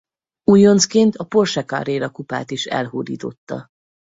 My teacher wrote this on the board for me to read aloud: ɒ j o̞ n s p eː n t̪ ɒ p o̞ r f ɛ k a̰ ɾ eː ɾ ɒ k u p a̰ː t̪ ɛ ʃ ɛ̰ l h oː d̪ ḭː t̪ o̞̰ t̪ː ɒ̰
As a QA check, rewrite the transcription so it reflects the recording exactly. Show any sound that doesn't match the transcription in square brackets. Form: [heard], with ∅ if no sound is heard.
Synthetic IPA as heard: [u] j o̞ n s [k] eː n t̪ ɒ p o̞ r [ʃ] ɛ k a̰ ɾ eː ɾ ɒ k u p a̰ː t̪ [i] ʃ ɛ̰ l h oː d̪ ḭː t̪ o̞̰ t̪ː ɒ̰